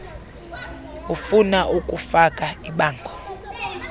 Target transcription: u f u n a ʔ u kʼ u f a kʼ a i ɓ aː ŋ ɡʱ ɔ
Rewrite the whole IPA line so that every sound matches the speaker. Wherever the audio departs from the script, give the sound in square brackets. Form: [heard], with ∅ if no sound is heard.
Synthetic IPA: u f u n a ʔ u kʼ u f a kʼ a i ɓ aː ŋ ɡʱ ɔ